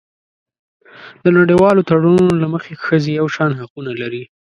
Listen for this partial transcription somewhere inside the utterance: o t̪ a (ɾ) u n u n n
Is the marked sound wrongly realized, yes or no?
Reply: yes